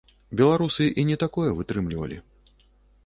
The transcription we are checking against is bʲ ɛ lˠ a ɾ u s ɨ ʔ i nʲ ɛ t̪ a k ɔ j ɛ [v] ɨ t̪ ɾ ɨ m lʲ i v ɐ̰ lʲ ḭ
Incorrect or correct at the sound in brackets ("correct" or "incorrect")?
correct